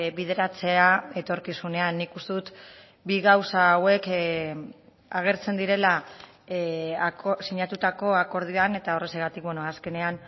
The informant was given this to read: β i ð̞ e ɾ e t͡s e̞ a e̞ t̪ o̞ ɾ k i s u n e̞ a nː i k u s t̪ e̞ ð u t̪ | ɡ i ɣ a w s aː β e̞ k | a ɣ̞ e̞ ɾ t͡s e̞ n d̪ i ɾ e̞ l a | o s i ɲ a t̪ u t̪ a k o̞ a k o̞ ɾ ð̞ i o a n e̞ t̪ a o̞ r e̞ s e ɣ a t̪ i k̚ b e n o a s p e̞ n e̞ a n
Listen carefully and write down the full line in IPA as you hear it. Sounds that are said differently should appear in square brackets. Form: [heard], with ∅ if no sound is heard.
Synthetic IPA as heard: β i ð̞ e ɾ [a] t͡s e̞ a e̞ t̪ o̞ ɾ k i s u n e̞ a nː i k u s t̪ e̞ ð u t̪ | [b] i ɣ a w s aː [w] e̞ k | a ɣ̞ e̞ ɾ t͡s e̞ n d̪ i ɾ e̞ l a | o s i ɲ a t̪ u t̪ a k o̞ a k o̞ ɾ ð̞ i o a n e̞ t̪ a o̞ r e̞ s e ɣ a t̪ i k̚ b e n o a s [k] e̞ n e̞ a n